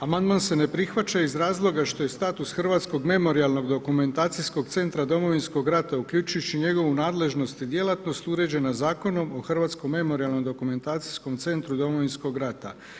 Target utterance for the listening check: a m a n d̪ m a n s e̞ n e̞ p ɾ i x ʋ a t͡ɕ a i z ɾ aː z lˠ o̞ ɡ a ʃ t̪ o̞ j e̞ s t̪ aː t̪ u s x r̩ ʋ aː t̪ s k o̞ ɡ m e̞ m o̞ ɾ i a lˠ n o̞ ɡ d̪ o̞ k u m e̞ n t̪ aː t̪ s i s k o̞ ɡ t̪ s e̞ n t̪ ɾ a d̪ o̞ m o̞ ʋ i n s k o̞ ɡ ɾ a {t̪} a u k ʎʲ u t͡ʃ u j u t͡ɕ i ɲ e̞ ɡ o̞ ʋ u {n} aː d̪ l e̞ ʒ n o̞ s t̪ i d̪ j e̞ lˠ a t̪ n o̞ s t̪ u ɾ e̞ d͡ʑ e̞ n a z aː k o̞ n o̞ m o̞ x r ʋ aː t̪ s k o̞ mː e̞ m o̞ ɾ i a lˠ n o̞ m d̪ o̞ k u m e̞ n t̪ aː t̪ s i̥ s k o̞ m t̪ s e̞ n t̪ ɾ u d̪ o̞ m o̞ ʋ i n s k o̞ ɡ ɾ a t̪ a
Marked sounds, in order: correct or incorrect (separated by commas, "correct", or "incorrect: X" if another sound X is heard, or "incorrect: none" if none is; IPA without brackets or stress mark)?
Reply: correct, correct